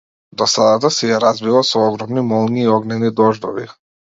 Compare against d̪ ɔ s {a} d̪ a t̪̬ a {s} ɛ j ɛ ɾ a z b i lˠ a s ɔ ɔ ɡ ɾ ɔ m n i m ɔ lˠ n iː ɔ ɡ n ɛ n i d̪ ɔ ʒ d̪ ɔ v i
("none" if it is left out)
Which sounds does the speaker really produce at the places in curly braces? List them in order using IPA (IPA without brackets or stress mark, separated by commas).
a, s